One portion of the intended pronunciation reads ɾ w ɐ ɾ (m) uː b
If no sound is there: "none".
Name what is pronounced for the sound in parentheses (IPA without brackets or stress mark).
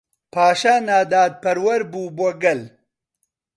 b